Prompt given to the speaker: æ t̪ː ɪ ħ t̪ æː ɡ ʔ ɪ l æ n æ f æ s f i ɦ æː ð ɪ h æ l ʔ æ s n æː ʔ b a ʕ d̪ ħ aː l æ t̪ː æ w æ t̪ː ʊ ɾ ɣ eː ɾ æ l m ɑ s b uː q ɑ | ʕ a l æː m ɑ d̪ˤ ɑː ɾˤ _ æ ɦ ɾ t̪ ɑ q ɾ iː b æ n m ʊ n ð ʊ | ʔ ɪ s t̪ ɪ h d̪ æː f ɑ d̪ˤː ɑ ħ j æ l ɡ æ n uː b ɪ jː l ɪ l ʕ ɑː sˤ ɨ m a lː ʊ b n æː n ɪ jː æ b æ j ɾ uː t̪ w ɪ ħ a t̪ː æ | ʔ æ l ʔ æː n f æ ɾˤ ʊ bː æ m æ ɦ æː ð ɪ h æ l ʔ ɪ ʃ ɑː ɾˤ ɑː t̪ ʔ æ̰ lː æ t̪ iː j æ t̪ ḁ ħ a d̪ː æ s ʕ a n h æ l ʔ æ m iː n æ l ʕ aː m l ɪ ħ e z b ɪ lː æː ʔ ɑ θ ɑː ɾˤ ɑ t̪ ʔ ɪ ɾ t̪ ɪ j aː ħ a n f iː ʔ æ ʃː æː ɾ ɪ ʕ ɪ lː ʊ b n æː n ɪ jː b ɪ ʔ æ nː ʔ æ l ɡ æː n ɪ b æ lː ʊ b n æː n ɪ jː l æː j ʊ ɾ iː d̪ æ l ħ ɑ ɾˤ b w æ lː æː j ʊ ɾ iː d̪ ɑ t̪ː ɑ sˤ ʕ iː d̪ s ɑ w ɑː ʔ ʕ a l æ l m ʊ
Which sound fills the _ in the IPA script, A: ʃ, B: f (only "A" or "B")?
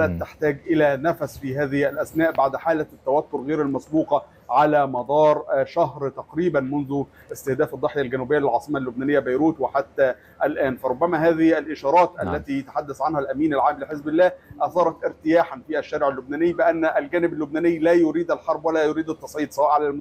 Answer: A